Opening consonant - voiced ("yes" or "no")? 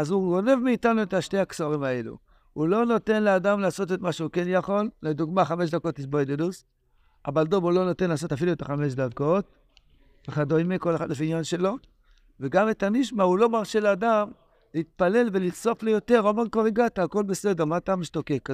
yes